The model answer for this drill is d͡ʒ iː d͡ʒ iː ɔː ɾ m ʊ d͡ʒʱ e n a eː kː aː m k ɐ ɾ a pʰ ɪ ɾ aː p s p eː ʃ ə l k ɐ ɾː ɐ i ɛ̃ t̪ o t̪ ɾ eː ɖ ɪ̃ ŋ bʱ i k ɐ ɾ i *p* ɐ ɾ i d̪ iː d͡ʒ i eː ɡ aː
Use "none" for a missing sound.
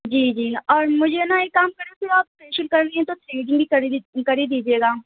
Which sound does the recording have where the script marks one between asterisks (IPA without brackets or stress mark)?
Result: k